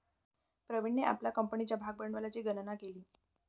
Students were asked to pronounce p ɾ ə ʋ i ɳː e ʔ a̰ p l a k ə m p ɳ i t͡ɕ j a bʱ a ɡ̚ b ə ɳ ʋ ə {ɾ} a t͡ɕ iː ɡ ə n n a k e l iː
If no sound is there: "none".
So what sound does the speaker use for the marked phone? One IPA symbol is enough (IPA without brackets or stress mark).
l